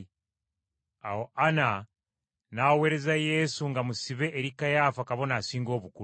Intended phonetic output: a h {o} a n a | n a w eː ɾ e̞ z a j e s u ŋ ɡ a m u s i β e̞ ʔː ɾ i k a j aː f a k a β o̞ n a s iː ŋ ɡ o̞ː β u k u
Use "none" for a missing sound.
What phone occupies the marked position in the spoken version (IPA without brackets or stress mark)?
o